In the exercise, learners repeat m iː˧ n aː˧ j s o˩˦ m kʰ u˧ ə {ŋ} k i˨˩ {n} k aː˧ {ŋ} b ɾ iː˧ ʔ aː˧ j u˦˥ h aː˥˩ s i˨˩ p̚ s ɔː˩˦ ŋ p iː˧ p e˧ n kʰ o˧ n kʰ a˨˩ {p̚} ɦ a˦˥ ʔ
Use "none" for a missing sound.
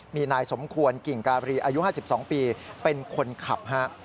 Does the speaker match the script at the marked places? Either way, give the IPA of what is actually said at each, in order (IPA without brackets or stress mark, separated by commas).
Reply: n, ŋ, none, p̚